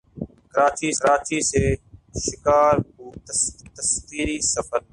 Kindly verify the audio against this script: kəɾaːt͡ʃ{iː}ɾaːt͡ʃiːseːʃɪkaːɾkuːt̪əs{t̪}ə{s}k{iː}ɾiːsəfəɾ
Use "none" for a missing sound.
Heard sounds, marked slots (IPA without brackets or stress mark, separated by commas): iː, t̪, s, iː